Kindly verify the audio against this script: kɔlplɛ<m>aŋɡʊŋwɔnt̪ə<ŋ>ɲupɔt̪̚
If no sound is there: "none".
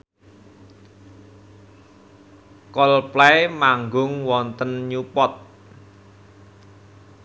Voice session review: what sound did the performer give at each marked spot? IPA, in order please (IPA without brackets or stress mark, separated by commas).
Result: m, n